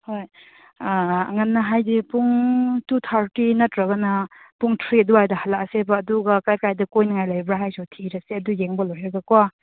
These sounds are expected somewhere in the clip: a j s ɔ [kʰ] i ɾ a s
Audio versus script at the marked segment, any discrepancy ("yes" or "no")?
yes